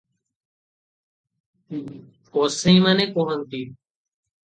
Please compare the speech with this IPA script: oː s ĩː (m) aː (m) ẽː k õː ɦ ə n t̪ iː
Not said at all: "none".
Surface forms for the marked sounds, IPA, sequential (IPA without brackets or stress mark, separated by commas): m, n